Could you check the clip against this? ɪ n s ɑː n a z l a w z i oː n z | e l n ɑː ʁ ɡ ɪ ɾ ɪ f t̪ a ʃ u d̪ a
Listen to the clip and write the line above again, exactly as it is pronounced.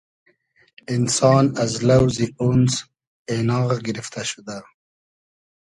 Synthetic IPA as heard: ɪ n s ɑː n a z l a w z i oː n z | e n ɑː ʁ ɡ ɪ ɾ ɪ f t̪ a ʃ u d̪ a